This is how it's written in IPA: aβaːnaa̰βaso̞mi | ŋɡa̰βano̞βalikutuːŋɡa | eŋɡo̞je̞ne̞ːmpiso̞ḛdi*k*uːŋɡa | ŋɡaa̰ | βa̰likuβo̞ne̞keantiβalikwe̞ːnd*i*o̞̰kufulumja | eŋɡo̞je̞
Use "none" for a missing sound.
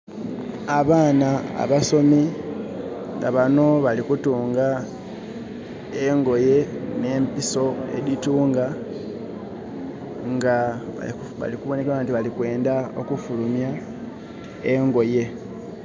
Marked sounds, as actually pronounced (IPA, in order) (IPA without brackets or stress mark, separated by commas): t, a